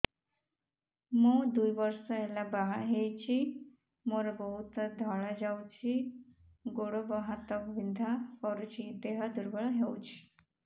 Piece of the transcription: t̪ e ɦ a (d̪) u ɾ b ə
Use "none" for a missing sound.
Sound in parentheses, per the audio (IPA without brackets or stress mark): d̪